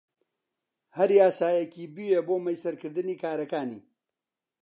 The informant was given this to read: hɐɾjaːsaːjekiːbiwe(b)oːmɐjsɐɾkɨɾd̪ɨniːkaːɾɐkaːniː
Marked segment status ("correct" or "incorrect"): correct